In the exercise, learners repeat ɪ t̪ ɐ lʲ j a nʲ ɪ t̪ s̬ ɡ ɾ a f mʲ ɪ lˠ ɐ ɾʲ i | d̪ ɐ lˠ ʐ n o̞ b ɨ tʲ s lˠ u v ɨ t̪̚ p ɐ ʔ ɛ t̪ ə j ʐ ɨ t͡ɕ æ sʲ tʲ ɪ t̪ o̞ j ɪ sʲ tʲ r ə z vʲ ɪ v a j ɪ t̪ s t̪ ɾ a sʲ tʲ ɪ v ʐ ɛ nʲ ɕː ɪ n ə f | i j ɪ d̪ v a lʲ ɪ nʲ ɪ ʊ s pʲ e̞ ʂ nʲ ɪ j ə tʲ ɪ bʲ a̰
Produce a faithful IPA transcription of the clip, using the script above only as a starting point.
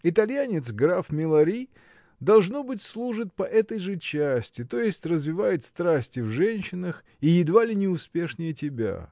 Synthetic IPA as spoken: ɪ t̪ ɐ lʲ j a nʲ ɪ t̪ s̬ ɡ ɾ a f mʲ ɪ lˠ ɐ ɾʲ i | d̪ ɐ lˠ ʐ n o̞ b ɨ tʲ s lˠ u ʐ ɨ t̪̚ p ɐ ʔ ɛ t̪ ə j ʐ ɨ t͡ɕ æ sʲ tʲ ɪ t̪ o̞ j ɪ sʲ tʲ r ə z vʲ ɪ v a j ɪ t̪ s t̪ ɾ a sʲ tʲ ɪ v ʐ ɛ nʲ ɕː ɪ n ə x | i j ɪ d̪ v a lʲ ɪ nʲ ɪ ʊ s pʲ e̞ ʂ nʲ ɪ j ə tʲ ɪ bʲ a̰

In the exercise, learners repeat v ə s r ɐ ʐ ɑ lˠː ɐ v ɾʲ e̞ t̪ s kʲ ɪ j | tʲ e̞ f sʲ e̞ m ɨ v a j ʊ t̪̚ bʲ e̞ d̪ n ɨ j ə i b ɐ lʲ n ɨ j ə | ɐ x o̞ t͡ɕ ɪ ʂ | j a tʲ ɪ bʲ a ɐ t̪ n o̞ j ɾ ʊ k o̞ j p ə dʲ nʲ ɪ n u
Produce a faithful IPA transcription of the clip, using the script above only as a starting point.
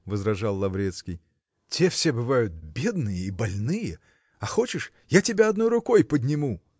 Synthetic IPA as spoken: v ə z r ɐ ʐ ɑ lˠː ɐ v ɾʲ e̞ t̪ s kʲ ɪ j | tʲ e̞ f sʲ e̞ b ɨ v a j ʊ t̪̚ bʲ e̞ d̪ n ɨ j ə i b ɐ lʲ n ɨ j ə | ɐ x o̞ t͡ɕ ɪ ʂ | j a tʲ ɪ bʲ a ɐ d̪ n o̞ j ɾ ʊ k o̞ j p ə dʲ nʲ ɪ m u

